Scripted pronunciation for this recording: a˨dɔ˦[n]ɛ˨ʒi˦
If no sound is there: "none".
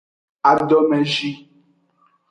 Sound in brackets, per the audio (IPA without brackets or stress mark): m